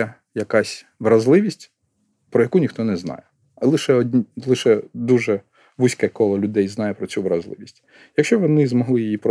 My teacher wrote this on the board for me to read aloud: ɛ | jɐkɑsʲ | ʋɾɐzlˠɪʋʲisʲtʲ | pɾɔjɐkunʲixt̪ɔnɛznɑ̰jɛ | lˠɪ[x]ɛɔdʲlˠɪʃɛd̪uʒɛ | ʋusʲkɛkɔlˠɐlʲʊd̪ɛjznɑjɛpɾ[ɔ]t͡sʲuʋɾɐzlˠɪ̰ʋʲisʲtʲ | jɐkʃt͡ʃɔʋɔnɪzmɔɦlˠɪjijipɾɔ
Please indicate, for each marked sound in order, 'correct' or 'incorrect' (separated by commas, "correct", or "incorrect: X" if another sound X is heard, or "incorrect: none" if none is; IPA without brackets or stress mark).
incorrect: ʃ, correct